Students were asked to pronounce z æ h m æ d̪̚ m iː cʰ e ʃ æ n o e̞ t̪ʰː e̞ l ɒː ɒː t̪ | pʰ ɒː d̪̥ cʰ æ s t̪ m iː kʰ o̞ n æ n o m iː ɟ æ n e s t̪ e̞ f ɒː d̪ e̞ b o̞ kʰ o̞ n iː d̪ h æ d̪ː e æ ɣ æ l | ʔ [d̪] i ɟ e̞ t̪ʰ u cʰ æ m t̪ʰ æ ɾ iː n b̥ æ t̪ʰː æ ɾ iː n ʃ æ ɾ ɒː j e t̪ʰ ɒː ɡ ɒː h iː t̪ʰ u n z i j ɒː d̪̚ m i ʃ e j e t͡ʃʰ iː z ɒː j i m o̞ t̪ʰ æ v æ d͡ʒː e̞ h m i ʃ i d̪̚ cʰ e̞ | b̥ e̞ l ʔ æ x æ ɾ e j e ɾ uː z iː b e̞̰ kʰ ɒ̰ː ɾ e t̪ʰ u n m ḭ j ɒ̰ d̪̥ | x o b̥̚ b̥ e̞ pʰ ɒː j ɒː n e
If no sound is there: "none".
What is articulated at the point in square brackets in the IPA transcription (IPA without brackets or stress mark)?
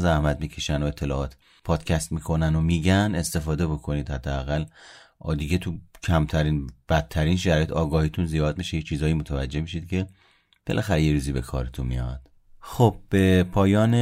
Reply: d̪